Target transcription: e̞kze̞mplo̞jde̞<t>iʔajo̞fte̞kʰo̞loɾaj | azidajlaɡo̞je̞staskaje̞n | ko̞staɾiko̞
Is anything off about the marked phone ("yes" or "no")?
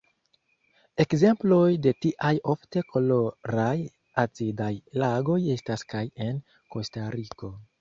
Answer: no